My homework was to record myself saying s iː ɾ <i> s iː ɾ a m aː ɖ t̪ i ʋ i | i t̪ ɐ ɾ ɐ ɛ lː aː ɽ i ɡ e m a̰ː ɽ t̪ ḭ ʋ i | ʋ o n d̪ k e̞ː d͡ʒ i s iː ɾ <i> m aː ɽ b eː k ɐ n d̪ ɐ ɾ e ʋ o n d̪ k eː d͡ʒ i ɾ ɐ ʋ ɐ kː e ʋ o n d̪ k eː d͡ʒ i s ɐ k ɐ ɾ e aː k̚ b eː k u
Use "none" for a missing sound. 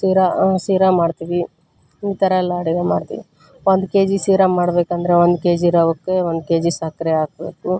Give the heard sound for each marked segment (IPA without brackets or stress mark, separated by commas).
a, a